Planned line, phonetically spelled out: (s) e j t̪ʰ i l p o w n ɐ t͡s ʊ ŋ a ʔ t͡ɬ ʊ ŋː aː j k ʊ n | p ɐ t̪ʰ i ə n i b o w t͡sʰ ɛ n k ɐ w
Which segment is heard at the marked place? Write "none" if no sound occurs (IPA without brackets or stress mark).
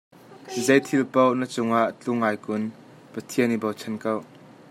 z